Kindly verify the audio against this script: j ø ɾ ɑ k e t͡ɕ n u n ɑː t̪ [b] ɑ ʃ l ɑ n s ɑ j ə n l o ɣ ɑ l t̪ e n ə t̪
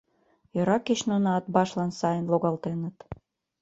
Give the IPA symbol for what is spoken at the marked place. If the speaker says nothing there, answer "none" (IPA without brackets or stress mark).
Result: b